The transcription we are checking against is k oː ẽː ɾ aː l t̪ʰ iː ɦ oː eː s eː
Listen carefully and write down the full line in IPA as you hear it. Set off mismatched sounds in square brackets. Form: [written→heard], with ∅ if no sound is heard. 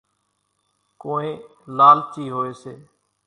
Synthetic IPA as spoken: k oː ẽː [ɾ→l] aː l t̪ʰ iː ɦ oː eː s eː